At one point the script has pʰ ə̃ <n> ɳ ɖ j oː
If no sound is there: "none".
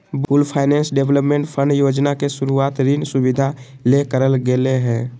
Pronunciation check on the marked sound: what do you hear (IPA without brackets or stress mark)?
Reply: none